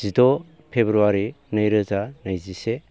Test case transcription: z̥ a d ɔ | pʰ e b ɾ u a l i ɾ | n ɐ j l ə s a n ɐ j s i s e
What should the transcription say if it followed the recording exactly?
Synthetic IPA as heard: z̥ i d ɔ | pʰ e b ɾ u a ɾ i | n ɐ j ɾ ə z a n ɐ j z i s e